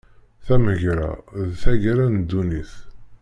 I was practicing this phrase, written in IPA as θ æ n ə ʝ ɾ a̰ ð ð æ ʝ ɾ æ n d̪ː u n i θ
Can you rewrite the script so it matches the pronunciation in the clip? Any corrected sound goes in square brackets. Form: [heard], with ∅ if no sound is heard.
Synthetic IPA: θ æ [m] ə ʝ ɾ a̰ ð [θ] æ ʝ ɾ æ n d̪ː u n i θ